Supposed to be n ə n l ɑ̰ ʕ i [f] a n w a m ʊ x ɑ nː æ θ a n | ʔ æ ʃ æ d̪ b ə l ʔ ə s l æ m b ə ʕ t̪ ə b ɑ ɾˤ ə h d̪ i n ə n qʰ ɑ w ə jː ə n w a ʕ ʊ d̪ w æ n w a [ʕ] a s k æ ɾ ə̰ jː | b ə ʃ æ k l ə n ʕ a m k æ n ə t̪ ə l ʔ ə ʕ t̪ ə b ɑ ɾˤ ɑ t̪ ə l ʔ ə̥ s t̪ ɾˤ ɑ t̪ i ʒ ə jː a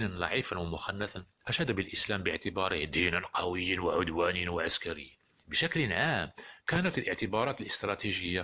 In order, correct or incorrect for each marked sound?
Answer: correct, correct

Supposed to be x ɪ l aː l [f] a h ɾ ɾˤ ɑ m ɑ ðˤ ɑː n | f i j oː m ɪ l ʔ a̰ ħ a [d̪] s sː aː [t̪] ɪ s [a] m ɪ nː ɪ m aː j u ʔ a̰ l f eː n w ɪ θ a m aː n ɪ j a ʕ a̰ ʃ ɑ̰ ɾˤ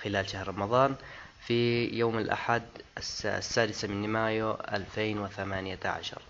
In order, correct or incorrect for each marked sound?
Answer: incorrect, correct, incorrect, correct

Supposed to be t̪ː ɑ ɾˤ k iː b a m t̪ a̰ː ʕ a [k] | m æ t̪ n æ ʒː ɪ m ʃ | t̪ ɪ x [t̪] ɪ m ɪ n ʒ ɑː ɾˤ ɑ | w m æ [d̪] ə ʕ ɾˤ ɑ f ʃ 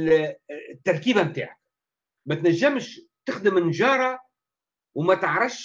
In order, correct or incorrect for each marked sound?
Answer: correct, incorrect, incorrect

